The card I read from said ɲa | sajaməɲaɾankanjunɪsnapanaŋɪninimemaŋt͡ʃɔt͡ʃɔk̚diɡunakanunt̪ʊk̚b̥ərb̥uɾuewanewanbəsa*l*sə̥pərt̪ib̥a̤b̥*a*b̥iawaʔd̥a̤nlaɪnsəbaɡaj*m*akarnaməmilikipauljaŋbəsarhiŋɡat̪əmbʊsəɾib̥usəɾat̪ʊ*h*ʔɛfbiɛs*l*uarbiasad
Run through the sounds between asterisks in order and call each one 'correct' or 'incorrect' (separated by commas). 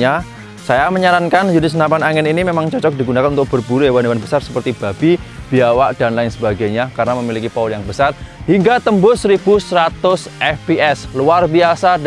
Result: incorrect, incorrect, incorrect, incorrect, correct